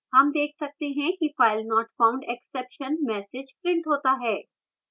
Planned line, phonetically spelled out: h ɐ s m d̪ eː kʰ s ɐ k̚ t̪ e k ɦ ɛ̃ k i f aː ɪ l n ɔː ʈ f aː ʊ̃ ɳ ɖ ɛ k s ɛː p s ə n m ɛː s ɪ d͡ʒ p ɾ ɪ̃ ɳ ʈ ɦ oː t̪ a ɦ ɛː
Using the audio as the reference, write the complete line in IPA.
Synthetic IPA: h ɐ m d̪ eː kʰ s ɐ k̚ t̪ e ɦ ɛ̃ k i f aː ɪ l n ɔː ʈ f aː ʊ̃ ɳ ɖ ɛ k s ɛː p ʃ ə n m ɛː s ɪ d͡ʒ p ɾ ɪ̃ ɳ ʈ ɦ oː t̪ a ɦ ɛː